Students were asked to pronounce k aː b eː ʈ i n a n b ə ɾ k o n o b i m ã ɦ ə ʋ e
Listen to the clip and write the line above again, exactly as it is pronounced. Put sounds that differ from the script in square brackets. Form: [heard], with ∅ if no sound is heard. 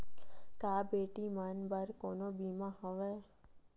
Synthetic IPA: k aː b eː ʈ i [m] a n b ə ɾ k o n o b i m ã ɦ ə ʋ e